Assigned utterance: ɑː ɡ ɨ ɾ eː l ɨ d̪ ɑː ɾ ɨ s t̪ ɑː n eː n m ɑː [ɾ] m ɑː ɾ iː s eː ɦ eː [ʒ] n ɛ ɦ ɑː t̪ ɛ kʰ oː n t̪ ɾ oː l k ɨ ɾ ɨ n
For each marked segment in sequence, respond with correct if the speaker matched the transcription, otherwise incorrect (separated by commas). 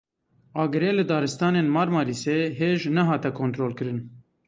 correct, correct